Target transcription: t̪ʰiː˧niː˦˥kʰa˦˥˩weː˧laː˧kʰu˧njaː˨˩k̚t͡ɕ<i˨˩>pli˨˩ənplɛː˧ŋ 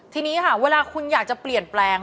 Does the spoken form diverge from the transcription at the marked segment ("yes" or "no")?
yes